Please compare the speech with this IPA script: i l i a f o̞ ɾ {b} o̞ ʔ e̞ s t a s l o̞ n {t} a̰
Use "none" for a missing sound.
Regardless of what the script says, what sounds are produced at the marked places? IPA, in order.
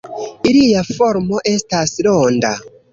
m, d

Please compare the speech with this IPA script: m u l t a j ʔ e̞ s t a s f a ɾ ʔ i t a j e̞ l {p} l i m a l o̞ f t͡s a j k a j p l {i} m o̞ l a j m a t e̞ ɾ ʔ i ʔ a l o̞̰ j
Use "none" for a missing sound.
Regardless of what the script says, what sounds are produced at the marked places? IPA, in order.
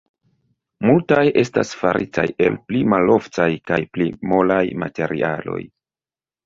p, i

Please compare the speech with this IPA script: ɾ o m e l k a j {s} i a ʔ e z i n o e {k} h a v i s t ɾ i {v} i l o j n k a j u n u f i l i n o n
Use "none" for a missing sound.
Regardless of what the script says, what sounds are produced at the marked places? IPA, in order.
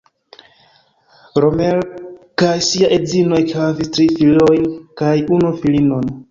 s, k, f

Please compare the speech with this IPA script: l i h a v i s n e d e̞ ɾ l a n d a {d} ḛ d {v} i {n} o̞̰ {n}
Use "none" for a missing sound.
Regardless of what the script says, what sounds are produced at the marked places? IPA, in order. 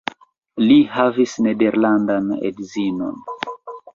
n, z, n, n

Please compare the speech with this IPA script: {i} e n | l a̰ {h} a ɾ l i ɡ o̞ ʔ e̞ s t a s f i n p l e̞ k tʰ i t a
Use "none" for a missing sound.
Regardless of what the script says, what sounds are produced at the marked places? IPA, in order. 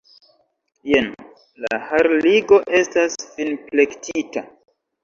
j, h

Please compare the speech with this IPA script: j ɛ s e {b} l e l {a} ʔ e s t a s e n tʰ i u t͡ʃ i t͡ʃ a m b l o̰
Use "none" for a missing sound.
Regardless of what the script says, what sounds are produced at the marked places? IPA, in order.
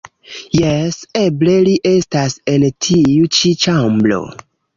b, i

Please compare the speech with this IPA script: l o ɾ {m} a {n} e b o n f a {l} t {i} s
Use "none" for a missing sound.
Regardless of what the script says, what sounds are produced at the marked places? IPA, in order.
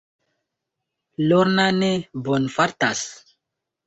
n, n, ɾ, a

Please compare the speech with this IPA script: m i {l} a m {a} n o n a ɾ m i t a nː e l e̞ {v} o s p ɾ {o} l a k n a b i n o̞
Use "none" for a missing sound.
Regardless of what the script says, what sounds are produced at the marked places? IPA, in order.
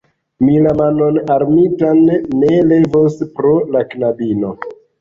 l, a, v, o

